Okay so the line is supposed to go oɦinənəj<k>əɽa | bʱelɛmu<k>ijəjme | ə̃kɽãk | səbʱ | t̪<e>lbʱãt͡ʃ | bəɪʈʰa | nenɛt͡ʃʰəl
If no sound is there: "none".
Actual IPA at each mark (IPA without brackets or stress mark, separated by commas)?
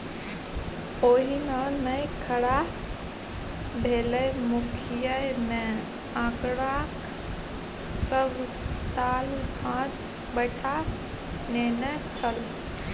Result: kʰ, kʰ, a